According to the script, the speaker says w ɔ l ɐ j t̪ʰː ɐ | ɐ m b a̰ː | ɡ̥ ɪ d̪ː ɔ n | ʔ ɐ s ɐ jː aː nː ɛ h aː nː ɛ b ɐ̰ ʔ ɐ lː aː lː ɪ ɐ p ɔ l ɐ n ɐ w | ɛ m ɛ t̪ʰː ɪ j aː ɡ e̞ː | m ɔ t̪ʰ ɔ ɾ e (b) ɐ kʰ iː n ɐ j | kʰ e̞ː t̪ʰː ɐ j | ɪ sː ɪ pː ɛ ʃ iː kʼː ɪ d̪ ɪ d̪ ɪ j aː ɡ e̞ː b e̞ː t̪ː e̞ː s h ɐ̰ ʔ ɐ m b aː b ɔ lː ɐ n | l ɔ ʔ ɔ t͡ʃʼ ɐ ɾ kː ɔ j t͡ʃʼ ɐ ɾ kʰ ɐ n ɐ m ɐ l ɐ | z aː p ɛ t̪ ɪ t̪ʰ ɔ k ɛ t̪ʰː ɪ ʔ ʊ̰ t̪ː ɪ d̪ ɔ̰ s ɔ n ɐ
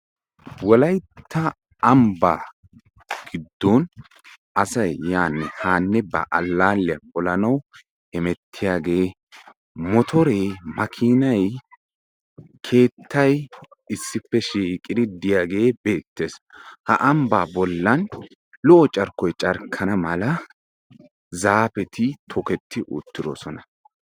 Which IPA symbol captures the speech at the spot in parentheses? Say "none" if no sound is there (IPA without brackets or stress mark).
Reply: m